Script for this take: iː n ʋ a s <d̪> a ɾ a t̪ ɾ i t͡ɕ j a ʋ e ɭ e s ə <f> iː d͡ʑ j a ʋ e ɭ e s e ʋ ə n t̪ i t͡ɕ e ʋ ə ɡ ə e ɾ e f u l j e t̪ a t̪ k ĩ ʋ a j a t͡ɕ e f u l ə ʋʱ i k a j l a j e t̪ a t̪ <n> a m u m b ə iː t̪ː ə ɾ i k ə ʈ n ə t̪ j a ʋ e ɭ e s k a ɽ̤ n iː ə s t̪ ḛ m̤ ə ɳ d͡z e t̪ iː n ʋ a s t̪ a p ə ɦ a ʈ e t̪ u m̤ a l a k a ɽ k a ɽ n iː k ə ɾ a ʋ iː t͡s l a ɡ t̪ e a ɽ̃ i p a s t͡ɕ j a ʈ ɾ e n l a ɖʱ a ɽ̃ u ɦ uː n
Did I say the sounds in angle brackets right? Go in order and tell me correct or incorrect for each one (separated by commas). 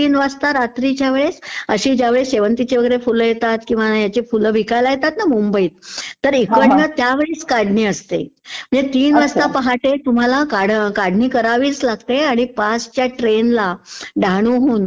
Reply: incorrect, incorrect, correct